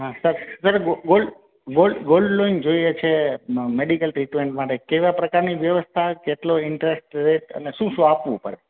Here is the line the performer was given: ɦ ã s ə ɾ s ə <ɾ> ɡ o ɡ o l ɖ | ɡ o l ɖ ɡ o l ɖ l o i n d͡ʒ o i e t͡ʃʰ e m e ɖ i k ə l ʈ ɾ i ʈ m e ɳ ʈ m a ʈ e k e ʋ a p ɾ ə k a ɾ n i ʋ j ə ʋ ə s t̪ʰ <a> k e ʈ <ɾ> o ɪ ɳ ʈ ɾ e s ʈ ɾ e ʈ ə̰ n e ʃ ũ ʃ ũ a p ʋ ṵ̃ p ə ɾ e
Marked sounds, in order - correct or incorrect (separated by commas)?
correct, correct, incorrect